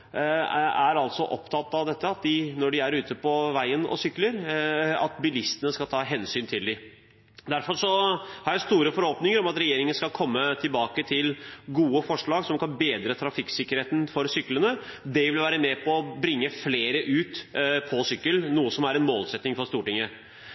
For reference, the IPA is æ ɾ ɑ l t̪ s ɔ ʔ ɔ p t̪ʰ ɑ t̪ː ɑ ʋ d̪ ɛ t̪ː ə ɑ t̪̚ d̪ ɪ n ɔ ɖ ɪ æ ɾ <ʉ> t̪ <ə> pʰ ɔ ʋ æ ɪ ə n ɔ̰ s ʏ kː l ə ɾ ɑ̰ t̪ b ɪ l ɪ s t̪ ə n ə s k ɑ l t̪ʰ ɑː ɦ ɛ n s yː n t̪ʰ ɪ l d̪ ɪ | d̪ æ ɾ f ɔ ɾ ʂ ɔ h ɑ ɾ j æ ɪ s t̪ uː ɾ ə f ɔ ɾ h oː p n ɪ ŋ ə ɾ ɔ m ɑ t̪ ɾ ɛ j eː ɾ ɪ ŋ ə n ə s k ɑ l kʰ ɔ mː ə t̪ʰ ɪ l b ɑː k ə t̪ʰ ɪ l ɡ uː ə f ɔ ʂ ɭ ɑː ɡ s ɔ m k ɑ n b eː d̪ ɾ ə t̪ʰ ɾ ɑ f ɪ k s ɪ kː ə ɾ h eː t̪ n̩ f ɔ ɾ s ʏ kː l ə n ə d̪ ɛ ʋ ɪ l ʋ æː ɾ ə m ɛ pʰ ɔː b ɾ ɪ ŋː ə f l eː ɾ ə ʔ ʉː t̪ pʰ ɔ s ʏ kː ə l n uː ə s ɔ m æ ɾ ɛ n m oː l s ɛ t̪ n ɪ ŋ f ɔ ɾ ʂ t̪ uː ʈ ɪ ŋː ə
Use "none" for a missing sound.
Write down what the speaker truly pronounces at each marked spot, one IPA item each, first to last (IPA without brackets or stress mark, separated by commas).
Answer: ʉː, ə